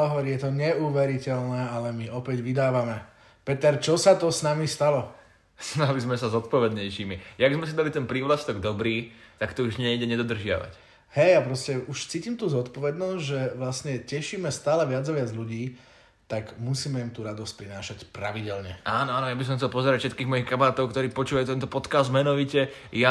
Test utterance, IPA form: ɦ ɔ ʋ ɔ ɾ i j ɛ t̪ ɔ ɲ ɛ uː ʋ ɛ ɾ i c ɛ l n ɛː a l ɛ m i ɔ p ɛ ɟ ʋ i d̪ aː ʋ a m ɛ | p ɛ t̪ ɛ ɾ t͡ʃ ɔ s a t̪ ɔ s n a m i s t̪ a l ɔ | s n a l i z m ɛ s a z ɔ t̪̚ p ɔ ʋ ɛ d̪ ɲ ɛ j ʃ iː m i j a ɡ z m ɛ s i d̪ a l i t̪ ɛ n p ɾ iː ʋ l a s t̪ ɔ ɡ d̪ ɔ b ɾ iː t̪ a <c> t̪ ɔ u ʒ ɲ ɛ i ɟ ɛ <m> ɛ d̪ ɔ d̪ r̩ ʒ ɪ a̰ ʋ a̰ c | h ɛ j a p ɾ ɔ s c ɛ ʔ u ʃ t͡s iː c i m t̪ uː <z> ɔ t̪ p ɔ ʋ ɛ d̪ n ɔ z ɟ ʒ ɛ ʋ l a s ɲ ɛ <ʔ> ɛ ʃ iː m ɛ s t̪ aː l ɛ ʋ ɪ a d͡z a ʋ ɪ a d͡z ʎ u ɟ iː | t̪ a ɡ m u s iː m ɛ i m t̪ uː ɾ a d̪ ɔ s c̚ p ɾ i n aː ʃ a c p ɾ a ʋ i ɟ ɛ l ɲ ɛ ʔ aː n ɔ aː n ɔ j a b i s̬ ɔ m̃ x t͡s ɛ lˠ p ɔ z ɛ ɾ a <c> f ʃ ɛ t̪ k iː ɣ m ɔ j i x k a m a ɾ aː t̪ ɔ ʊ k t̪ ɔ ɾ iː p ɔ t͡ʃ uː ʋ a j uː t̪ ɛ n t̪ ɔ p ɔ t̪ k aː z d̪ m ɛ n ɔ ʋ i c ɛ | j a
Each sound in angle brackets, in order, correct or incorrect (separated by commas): incorrect, incorrect, correct, incorrect, correct